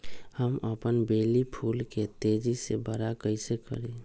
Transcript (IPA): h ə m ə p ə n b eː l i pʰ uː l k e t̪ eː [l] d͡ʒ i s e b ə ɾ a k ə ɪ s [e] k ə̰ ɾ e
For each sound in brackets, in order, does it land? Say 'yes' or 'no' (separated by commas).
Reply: no, yes